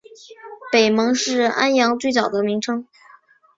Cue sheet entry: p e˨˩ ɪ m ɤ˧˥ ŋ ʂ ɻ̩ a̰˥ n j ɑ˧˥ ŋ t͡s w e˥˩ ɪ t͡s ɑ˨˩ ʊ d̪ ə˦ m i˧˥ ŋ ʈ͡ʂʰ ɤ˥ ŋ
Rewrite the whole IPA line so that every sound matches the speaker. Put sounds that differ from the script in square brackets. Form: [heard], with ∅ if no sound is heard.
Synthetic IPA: p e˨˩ ɪ m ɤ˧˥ ŋ ʂ ɻ̩ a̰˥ n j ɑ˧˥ ŋ t͡s w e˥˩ ɪ t͡s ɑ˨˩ ʊ d̪ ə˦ m i˧˥ ŋ ʈ͡ʂʰ ɤ˥ ŋ